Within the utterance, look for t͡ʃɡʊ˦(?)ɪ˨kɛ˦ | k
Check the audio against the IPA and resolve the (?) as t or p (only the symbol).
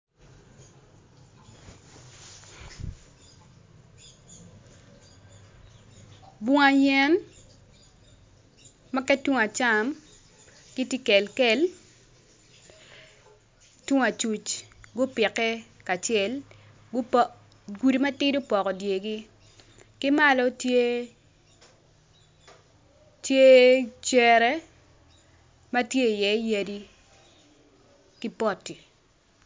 p